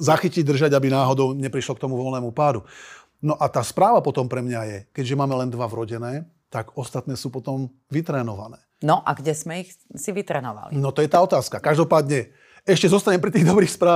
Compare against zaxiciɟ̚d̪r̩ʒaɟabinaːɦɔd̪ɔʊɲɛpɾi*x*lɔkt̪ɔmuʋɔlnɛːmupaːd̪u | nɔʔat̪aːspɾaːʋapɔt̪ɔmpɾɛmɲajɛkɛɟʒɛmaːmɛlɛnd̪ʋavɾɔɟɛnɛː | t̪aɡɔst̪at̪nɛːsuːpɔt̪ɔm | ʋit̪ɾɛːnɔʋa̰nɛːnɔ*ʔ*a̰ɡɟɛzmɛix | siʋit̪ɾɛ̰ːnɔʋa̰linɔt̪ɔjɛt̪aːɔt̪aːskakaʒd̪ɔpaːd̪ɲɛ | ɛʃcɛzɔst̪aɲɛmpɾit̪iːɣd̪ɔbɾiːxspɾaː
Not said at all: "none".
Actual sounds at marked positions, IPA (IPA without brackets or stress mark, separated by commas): ʃ, ʔ